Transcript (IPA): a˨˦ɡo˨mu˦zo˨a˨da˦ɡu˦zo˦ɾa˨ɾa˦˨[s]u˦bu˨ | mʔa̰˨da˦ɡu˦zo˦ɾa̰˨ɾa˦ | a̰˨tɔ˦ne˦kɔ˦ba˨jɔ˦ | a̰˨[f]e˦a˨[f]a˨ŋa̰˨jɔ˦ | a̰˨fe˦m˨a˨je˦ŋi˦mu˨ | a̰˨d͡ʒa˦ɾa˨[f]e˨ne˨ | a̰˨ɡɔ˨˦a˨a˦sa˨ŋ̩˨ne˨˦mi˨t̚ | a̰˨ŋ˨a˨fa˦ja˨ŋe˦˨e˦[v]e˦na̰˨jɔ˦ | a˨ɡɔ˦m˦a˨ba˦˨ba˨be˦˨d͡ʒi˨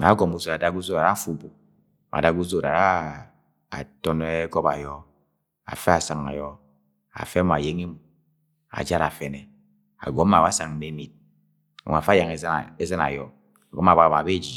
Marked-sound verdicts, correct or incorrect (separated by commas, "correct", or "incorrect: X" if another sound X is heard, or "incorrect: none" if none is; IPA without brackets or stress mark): incorrect: f, correct, incorrect: s, correct, incorrect: z